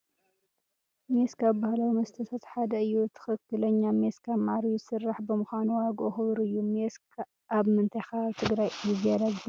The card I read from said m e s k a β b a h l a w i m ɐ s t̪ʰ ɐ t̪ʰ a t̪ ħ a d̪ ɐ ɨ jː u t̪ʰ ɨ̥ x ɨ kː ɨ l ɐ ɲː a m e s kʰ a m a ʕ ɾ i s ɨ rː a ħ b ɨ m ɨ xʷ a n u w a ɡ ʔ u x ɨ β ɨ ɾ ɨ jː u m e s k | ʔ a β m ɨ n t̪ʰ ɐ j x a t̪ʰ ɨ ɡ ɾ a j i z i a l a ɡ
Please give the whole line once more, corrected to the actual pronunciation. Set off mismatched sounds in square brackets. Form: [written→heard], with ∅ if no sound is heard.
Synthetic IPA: m e s k a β b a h l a w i m ɐ s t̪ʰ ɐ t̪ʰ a t̪ ħ a d̪ ɐ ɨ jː u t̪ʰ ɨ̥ x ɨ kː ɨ l ɐ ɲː a m e s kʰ a m a ʕ ɾ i s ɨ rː a ħ b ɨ m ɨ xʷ a n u w a ɡ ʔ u x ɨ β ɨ ɾ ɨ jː u m e s k | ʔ a β m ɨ n t̪ʰ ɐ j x a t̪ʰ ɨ ɡ ɾ a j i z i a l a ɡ

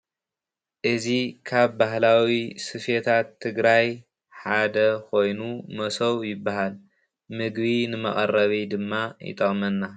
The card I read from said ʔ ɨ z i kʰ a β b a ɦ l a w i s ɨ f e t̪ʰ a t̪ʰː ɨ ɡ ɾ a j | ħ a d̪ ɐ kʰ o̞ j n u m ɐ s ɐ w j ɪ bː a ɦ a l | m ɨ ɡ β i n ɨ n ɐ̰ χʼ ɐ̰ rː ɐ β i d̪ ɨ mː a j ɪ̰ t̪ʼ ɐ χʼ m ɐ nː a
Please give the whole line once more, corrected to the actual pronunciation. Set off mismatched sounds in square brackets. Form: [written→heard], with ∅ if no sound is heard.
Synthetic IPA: ʔ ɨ z i kʰ a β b a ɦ l a w i s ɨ f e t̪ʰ a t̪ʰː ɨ ɡ ɾ a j | ħ a d̪ ɐ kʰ o̞ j n u m ɐ s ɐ w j ɪ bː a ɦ a l | m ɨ ɡ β i n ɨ [n→m] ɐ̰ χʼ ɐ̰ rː ɐ β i d̪ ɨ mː a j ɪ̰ t̪ʼ ɐ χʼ m ɐ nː a

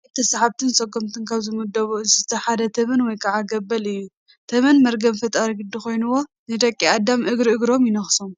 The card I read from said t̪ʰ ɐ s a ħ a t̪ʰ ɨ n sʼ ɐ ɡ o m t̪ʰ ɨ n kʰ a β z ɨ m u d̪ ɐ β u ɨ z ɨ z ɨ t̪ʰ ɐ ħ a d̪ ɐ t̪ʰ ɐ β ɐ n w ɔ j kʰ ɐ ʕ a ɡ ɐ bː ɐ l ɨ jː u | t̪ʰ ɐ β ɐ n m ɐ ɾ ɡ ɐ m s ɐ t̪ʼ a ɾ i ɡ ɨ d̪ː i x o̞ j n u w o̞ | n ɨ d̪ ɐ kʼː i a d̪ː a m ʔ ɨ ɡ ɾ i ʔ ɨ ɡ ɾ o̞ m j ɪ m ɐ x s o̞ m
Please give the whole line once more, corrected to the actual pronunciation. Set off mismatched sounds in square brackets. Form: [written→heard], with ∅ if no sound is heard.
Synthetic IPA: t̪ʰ ɐ s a ħ a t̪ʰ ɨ n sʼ ɐ ɡ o m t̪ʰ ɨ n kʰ a β z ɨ m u d̪ ɐ β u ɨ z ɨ z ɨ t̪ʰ ɐ ħ a d̪ ɐ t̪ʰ ɐ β ɐ n w ɔ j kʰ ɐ ʕ a ɡ ɐ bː ɐ l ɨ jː u | t̪ʰ ɐ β ɐ n m ɐ ɾ ɡ ɐ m [s→f] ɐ t̪ʼ a ɾ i ɡ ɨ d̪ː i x o̞ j n u w o̞ | n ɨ d̪ ɐ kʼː i a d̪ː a m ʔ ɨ ɡ ɾ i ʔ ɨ ɡ ɾ o̞ m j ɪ [m→n] ɐ x s o̞ m

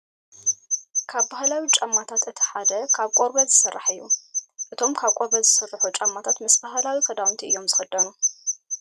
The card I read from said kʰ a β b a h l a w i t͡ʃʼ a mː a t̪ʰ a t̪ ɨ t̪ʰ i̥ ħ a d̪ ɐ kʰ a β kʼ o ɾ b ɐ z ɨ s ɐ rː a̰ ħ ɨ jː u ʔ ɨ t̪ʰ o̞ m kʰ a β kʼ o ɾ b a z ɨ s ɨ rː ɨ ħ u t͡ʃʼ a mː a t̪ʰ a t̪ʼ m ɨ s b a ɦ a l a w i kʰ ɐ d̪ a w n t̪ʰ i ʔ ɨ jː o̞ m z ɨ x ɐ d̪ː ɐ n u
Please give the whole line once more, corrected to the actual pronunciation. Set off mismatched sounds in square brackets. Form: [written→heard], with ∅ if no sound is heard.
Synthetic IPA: kʰ a β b a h l a w i t͡ʃʼ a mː a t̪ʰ a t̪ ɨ t̪ʰ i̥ ħ a d̪ ɐ kʰ a β kʼ o ɾ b ɐ z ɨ s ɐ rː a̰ ħ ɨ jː u ʔ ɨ t̪ʰ o̞ m kʰ a β kʼ o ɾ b [a→ɐ] z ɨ s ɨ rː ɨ ħ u t͡ʃʼ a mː a t̪ʰ a [t̪ʼ→t̪] m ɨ s b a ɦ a l a w i kʰ ɐ d̪ a w n t̪ʰ i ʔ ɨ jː o̞ m z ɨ x ɐ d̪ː ɐ n u

